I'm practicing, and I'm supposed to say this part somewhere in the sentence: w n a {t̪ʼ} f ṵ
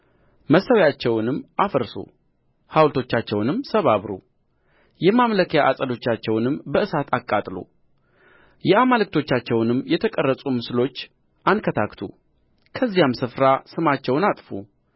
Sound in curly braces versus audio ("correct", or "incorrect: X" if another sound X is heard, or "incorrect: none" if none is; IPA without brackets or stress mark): correct